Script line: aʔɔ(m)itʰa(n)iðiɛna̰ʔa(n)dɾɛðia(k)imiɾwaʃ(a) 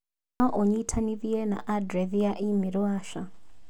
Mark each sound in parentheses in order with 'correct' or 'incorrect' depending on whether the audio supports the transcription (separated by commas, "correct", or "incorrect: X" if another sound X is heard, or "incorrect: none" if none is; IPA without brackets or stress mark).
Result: incorrect: ɲ, correct, incorrect: none, incorrect: ʔ, correct